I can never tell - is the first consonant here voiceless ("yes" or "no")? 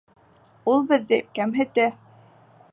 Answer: no